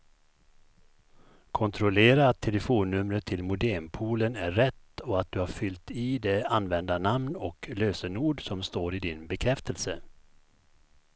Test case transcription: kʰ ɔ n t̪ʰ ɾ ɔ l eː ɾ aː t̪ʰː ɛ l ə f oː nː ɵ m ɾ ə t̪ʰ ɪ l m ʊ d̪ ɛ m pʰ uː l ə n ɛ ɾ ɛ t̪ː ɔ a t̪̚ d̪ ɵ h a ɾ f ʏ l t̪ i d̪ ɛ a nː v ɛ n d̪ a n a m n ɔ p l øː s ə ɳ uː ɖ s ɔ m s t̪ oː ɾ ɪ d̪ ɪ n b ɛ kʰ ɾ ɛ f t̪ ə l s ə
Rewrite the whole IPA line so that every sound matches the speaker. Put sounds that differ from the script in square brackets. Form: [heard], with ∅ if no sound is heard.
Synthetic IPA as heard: kʰ ɔ n t̪ʰ ɾ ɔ l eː ɾ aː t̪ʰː ɛ l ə f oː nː ɵ m ɾ ə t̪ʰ ɪ l m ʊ d̪ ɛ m pʰ uː l ə n [æ] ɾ ɛ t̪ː ɔ a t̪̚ d̪ ɵ h a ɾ f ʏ l t̪ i d̪ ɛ a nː v ɛ n d̪ a n a m n ɔ [k] l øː s ə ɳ uː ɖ s ɔ m s t̪ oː ɾ ɪ d̪ ɪ n b ɛ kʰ ɾ ɛ f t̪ ə l s ə